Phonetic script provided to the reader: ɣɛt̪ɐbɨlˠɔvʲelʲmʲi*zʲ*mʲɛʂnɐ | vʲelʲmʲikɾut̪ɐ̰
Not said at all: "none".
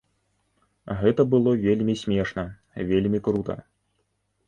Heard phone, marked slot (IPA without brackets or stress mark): sʲ